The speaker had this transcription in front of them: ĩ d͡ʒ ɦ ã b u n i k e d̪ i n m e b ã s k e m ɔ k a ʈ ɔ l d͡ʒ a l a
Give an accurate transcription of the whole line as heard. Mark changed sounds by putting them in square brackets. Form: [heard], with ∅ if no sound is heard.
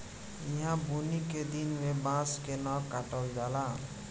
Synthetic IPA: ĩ [∅] ɦ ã b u n i k e d̪ i n m e b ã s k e [n] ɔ k a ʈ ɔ l d͡ʒ a l a